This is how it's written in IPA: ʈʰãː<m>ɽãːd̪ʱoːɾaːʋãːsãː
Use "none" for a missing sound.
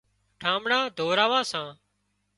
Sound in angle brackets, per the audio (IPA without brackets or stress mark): m